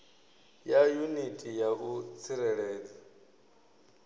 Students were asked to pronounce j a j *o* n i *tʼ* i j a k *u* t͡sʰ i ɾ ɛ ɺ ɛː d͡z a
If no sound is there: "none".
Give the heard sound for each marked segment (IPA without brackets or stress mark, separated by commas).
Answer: u, tʼ, u